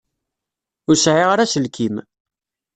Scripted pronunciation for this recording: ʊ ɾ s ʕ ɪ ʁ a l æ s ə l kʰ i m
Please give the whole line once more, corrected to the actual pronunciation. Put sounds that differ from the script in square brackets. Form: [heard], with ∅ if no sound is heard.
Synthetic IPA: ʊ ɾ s ʕ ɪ ʁ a [ɾ] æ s ə l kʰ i m